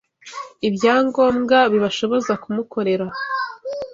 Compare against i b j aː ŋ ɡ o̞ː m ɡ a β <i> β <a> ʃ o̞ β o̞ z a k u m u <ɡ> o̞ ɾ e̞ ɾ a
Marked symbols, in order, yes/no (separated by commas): yes, yes, no